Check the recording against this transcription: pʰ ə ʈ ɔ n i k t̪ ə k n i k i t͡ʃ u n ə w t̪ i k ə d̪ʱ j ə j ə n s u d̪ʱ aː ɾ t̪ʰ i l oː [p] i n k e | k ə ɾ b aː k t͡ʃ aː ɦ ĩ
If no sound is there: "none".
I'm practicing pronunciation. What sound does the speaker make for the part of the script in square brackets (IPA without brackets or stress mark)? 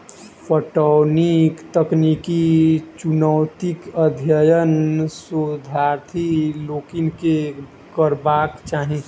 k